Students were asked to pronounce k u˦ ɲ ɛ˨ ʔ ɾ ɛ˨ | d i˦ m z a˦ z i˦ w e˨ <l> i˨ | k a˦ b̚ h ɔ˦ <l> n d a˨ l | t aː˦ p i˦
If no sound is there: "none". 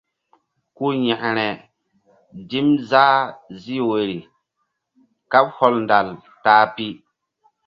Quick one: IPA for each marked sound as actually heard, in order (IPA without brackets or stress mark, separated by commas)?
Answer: ɾ, l